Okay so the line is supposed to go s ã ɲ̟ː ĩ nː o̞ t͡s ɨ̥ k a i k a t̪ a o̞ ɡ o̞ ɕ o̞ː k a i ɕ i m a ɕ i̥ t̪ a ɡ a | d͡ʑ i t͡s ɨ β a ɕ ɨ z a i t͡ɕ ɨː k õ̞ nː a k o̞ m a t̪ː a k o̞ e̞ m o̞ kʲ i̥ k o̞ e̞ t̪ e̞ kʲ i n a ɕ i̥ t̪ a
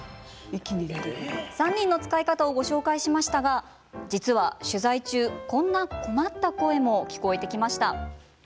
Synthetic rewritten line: s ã ɲ̟ː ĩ nː o̞ t͡s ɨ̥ k a i k a t̪ a o̞ ɡ o̞ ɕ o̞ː k a i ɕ i m a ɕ i̥ t̪ a ɡ a | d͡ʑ i t͡s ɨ β a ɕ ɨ z a i t͡ɕ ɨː k õ̞ nː a k o̞ m a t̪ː a k o̞ e̞ m o̞ kʲ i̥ k o̞ e̞ t̪ e̞ kʲ i m a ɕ i̥ t̪ a